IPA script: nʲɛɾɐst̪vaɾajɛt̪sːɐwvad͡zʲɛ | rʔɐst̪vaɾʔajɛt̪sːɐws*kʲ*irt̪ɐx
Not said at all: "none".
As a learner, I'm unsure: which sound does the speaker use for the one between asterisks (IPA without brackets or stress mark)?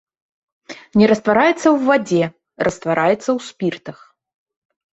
pʲ